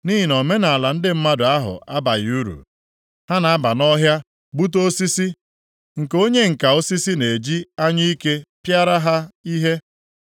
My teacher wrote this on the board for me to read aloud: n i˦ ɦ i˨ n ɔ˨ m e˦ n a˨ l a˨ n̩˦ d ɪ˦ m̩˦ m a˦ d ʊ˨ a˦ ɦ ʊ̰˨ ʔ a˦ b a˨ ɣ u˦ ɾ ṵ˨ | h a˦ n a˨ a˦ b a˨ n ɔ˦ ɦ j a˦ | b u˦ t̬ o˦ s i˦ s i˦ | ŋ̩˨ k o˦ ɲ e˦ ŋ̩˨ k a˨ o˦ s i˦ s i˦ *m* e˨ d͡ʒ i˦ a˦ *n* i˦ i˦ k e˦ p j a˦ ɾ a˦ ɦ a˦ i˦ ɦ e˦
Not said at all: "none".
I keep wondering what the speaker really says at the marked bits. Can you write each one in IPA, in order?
n, ɲ

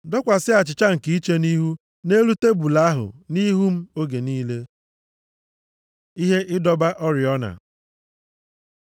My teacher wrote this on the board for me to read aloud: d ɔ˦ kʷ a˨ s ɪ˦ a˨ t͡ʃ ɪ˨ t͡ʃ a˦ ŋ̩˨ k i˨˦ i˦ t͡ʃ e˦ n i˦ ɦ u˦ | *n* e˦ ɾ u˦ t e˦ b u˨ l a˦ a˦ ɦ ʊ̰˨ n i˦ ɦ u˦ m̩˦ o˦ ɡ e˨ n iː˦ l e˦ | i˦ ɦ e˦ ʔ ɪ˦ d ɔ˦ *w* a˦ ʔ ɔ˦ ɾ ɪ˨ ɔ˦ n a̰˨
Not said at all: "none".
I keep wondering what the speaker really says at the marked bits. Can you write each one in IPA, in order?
n, b

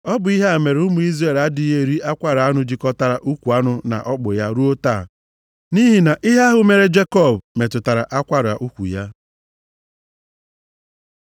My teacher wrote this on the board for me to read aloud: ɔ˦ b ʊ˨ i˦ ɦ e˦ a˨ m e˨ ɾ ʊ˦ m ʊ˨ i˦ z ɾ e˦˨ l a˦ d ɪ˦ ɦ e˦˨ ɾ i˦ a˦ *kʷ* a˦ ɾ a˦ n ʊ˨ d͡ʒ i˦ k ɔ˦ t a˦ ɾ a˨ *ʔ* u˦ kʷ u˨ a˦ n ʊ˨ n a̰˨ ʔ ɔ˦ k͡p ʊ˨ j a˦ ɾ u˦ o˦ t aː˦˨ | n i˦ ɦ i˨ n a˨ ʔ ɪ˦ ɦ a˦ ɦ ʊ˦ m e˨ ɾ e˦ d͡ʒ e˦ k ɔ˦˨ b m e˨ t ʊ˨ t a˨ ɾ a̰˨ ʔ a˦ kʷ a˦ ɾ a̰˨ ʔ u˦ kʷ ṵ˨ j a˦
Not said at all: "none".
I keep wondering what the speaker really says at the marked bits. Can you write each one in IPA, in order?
kʷ, ʔ

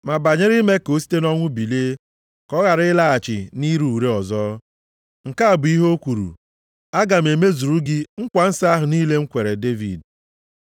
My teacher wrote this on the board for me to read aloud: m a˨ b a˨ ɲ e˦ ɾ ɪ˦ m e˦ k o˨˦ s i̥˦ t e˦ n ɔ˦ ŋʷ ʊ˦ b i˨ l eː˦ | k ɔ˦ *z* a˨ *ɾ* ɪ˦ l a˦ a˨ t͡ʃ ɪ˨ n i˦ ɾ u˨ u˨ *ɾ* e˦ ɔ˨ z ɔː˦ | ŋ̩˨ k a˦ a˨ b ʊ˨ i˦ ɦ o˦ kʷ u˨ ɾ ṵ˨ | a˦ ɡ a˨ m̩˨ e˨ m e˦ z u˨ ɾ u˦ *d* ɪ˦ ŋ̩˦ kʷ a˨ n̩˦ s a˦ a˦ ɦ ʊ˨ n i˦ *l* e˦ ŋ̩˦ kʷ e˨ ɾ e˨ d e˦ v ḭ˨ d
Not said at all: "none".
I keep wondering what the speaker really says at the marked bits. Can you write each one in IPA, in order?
ɣ, ɾ, ɾ, ɡ, l

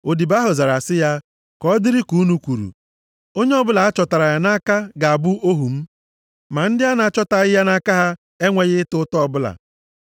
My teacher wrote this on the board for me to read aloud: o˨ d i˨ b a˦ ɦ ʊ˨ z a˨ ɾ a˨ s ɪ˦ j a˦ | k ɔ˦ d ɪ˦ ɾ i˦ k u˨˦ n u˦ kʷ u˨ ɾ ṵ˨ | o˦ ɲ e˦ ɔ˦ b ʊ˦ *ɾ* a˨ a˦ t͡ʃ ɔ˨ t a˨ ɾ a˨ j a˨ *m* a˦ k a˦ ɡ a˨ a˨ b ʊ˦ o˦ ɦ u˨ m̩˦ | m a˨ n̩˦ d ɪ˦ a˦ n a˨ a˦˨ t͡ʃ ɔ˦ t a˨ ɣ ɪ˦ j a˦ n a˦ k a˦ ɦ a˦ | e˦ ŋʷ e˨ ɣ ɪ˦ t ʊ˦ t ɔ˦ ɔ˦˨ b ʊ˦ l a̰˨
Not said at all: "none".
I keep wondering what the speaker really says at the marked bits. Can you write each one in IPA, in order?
l, n

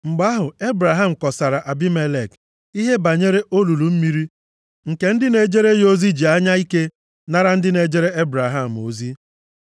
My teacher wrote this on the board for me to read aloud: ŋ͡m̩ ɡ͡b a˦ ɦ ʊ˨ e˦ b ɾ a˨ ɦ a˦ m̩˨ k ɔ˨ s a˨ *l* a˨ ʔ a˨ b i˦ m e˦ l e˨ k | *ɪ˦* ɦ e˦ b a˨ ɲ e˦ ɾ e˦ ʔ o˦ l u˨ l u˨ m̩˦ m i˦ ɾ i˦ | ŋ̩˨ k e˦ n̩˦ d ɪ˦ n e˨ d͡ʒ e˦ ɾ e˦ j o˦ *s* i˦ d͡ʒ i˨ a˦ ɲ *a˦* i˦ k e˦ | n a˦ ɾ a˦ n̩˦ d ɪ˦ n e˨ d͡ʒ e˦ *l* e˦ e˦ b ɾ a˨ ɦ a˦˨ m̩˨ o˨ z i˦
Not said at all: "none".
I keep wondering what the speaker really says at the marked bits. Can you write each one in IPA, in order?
ɾ, i˦, z, a˦, ɾ

